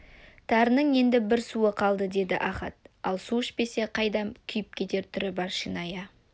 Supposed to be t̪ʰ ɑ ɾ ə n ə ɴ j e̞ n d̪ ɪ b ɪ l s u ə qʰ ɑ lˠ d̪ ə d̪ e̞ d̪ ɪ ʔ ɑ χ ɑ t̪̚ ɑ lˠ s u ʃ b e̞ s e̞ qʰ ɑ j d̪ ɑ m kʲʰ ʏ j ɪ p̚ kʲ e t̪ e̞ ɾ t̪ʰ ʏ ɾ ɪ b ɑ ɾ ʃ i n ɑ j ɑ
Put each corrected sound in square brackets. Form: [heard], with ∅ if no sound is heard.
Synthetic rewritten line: t̪ʰ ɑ ɾ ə n ə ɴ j e̞ n d̪ ɪ b ɪ [ɾ] s u ə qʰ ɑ lˠ d̪ ə d̪ e̞ d̪ ɪ ʔ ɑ χ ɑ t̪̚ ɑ lˠ s u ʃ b e̞ s e̞ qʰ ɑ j d̪ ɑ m kʲʰ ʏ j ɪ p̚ kʲ e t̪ e̞ ɾ t̪ʰ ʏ ɾ ɪ b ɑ ɾ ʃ i n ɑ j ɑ

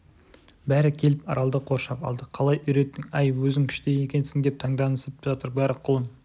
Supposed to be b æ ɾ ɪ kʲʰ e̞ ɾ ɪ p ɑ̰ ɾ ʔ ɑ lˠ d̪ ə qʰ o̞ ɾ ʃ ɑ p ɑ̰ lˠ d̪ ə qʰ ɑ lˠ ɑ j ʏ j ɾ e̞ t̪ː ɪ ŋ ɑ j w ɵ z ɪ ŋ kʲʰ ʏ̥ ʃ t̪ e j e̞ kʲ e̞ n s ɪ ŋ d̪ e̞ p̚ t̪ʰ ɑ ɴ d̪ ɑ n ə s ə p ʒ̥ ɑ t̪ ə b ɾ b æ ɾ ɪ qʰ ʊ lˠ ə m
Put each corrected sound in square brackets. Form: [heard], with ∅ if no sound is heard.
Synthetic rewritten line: b æ ɾ ɪ kʲʰ e̞ [l] ɪ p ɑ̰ ɾ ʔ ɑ lˠ d̪ ə qʰ o̞ ɾ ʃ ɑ p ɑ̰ lˠ d̪ ə qʰ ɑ lˠ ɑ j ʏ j ɾ e̞ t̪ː ɪ ŋ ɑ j w ɵ z ɪ ŋ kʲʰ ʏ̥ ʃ t̪ e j e̞ kʲ e̞ n s ɪ ŋ d̪ e̞ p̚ t̪ʰ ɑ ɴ d̪ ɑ n ə s ə p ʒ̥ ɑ t̪ ə [∅] ɾ b æ ɾ ɪ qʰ ʊ lˠ ə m

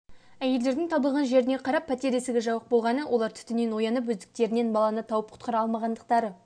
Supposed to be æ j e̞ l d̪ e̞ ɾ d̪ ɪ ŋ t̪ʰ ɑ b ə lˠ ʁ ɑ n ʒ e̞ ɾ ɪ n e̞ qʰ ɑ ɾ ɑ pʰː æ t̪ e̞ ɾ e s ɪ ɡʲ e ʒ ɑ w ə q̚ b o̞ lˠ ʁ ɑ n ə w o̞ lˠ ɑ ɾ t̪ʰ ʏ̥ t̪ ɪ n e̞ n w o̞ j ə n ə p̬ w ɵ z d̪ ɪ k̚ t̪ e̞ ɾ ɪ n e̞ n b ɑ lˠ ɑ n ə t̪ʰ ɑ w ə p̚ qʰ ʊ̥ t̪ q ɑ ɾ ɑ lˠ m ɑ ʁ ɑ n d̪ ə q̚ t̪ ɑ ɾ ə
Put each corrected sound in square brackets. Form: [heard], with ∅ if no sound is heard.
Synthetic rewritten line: æ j e̞ l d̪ e̞ ɾ d̪ ɪ ŋ t̪ʰ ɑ b ə lˠ ʁ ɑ n ʒ e̞ ɾ ɪ n e̞ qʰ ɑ ɾ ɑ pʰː æ t̪ e̞ ɾ e s ɪ ɡʲ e ʒ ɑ w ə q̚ b o̞ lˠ ʁ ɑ n ə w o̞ lˠ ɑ ɾ t̪ʰ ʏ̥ t̪ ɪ n e̞ n w o̞ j [ɑ] n ə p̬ w ɵ z d̪ ɪ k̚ t̪ e̞ ɾ ɪ n e̞ n b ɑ lˠ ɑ n ə t̪ʰ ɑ w ə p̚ qʰ ʊ̥ t̪ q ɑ ɾ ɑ lˠ m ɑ ʁ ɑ n d̪ ə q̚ t̪ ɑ ɾ ə

